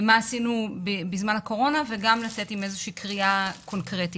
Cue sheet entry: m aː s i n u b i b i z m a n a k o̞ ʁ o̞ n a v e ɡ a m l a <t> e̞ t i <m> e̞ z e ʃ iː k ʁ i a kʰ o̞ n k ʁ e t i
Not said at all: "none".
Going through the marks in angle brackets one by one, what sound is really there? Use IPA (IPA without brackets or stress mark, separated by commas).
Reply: t͡s, m